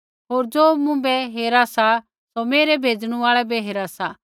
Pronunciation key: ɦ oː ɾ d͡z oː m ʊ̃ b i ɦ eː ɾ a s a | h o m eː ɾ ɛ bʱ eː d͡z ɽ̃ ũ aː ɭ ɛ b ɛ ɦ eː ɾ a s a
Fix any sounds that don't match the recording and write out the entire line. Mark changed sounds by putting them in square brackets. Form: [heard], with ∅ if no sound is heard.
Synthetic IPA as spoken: ɦ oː ɾ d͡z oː m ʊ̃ b [ɛ] ɦ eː ɾ a s a | [s] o m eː ɾ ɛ bʱ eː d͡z ɽ̃ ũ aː ɭ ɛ b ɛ ɦ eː ɾ a s a